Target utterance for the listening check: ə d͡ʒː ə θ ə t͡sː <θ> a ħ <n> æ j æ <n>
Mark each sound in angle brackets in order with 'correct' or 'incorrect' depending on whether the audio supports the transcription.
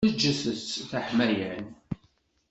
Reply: correct, incorrect: m, correct

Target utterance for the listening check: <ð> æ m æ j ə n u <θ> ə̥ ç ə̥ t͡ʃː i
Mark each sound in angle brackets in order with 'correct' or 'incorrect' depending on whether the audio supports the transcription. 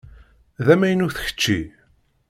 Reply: correct, correct

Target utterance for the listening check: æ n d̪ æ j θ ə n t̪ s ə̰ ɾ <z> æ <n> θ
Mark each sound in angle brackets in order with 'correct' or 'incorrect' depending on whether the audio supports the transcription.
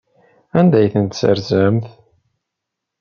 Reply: correct, incorrect: m

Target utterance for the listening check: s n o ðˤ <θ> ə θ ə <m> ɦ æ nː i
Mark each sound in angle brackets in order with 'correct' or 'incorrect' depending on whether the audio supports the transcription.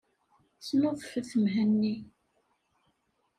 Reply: incorrect: f, correct

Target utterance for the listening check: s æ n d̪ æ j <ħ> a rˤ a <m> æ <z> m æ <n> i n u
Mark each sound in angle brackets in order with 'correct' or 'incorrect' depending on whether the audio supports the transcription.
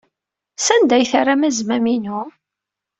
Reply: incorrect: θ, correct, correct, incorrect: m

